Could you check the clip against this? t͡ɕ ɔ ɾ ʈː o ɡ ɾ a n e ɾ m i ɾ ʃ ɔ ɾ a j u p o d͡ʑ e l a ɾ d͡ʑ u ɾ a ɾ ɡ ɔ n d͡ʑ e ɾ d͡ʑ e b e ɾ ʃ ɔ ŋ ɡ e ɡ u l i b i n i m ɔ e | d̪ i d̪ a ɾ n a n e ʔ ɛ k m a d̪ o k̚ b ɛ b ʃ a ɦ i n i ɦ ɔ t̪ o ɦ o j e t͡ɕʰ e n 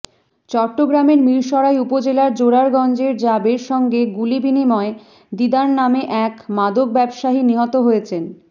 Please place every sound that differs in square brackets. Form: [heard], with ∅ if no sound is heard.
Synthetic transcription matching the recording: t͡ɕ ɔ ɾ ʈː o ɡ ɾ a [m] e ɾ m i ɾ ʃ ɔ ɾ a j u p o d͡ʑ e l a ɾ d͡ʑ [o] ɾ a ɾ ɡ ɔ n d͡ʑ e ɾ d͡ʑ [a] b e ɾ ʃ ɔ ŋ ɡ e ɡ u l i b i n i m ɔ e | d̪ i d̪ a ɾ n a [m] e ʔ ɛ k m a d̪ o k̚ b ɛ b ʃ a ɦ i n i ɦ ɔ t̪ o ɦ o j e t͡ɕʰ e n